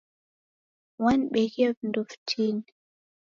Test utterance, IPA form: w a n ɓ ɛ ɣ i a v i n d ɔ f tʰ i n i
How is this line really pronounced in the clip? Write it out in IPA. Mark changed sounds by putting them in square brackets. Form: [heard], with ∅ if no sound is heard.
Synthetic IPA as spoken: w a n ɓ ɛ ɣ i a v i n d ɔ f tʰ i n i